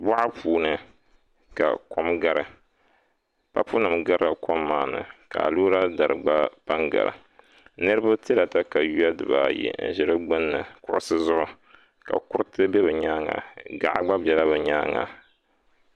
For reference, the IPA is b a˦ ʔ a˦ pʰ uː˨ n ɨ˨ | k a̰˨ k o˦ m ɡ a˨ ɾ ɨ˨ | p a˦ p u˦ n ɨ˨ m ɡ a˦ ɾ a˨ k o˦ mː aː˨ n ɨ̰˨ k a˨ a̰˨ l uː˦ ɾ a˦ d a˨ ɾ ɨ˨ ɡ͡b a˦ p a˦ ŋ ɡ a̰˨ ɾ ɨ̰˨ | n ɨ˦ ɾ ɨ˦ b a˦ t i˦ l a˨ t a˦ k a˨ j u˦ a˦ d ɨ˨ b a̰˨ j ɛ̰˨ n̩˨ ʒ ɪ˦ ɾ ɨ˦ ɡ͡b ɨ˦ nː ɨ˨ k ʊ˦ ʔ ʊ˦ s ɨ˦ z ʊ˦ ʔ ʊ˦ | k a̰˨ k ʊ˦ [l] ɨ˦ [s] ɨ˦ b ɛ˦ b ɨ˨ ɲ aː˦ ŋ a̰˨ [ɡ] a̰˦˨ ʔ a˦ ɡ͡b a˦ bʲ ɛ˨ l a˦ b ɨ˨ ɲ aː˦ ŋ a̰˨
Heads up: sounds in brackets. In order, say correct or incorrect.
incorrect: ɾ, incorrect: t, correct

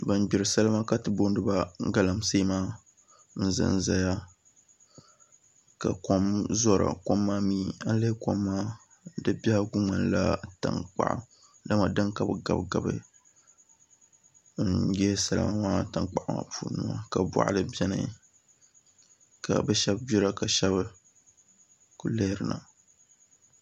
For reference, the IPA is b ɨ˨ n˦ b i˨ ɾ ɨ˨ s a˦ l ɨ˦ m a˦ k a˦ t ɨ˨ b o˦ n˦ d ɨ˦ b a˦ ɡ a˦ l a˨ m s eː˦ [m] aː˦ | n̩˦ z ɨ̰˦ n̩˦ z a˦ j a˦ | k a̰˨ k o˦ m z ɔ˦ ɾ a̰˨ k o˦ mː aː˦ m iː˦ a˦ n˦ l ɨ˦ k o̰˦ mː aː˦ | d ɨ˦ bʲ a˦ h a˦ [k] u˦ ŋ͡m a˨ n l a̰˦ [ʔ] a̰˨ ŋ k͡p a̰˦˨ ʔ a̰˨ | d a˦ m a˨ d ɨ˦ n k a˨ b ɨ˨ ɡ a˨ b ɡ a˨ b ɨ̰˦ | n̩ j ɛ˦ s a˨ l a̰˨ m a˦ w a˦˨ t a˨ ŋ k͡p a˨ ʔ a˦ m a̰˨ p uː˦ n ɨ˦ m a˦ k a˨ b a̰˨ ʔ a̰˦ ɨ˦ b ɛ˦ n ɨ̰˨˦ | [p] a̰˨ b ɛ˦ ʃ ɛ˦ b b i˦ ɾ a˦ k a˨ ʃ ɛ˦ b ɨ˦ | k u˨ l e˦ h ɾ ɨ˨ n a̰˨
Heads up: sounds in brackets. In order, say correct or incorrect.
correct, incorrect: ɡ, incorrect: t, incorrect: k

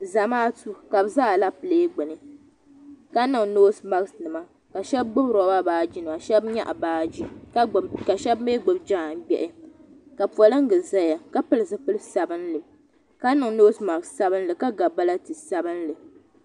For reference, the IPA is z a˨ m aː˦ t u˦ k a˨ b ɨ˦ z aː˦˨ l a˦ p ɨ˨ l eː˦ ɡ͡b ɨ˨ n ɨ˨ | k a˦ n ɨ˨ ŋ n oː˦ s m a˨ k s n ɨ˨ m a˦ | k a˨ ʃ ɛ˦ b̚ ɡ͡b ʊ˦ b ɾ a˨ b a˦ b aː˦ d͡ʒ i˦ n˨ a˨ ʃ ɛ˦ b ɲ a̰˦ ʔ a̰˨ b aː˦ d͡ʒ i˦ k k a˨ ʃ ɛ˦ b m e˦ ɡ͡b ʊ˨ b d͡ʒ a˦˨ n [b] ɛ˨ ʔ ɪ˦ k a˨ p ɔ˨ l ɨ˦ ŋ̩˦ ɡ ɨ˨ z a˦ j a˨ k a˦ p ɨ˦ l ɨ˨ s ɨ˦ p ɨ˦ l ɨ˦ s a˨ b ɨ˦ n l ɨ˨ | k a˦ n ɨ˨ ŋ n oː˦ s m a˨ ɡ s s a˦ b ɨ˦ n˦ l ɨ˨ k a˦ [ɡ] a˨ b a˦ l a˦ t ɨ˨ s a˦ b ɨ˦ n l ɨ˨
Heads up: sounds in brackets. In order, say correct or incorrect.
correct, correct

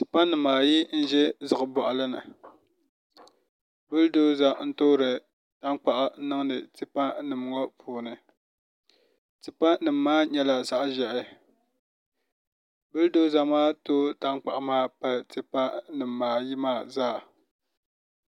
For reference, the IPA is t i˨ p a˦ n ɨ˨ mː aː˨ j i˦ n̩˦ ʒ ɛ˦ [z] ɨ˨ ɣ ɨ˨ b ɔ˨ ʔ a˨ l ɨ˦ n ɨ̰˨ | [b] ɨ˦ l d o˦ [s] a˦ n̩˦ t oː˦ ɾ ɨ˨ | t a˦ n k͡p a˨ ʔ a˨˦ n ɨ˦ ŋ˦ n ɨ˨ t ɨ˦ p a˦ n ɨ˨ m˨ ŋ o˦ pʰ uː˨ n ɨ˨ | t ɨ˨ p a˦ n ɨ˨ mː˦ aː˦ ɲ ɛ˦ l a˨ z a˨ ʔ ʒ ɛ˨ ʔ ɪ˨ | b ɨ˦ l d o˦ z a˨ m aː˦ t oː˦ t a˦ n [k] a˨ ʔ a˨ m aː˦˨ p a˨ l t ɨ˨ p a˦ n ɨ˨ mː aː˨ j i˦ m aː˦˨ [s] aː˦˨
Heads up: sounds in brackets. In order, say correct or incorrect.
correct, correct, incorrect: z, incorrect: k͡p, incorrect: z

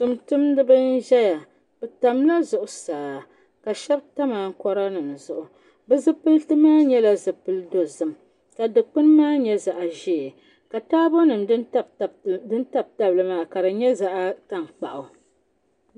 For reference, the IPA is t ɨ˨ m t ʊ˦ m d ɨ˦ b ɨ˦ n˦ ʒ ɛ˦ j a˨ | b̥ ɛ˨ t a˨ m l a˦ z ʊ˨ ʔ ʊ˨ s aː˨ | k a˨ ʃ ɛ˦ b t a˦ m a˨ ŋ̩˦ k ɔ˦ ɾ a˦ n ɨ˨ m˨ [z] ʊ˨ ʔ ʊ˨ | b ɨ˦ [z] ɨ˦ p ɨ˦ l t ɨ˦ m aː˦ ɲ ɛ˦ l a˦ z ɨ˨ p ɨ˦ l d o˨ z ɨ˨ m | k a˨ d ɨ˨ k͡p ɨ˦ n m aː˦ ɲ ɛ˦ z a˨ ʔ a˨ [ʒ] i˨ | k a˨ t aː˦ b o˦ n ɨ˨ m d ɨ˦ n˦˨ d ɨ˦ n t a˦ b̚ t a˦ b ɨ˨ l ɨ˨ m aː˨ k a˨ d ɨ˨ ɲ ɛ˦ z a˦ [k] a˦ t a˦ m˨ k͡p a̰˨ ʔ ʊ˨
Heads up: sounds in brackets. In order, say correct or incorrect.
correct, correct, correct, incorrect: ʔ

